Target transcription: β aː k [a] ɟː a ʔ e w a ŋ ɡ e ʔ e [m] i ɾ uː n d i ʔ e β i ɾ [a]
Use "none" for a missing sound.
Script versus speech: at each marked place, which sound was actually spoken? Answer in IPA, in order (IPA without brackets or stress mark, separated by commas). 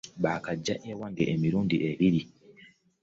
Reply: a, m, i